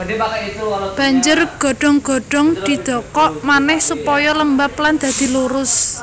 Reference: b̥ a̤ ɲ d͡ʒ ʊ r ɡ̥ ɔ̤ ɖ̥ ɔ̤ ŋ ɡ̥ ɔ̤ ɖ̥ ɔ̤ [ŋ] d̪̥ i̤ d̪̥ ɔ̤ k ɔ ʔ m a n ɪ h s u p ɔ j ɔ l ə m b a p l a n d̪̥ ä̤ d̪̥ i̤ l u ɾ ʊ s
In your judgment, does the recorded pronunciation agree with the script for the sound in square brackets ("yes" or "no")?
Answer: yes